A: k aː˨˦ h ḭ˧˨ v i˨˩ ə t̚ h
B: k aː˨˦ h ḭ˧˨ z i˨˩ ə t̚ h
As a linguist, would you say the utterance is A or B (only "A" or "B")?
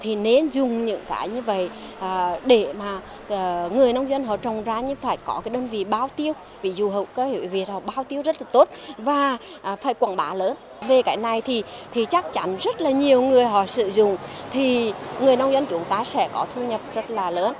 A